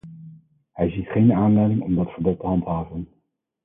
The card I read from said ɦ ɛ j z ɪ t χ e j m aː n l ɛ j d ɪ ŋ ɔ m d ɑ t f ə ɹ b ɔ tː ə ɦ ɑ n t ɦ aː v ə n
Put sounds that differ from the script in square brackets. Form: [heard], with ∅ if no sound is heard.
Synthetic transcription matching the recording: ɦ ɛ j z [i] t χ e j [n] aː n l ɛ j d ɪ ŋ ɔ m d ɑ t f ə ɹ b ɔ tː ə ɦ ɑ n t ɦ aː v ə n